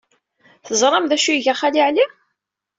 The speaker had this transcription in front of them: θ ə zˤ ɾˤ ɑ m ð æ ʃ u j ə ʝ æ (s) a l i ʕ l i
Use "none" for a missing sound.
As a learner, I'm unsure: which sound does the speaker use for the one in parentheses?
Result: χ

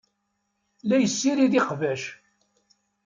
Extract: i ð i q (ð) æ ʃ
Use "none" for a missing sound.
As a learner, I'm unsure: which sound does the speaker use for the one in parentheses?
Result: v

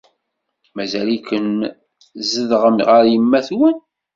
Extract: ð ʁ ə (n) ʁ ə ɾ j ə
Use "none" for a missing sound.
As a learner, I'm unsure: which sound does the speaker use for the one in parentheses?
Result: m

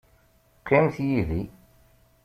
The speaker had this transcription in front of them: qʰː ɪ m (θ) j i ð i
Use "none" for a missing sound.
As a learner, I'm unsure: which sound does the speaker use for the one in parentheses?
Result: θ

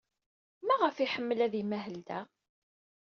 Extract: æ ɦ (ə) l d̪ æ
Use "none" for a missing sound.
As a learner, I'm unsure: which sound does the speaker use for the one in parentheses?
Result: ə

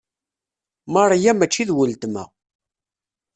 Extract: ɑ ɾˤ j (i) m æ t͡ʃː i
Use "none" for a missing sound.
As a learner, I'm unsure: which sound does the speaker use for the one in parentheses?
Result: æ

